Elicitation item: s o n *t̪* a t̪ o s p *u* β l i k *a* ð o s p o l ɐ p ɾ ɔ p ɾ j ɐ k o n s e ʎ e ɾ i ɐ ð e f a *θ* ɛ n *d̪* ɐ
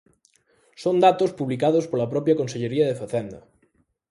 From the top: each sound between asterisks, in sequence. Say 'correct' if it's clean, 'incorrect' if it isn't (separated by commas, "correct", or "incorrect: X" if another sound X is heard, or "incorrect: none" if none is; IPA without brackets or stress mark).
incorrect: d̪, correct, correct, correct, correct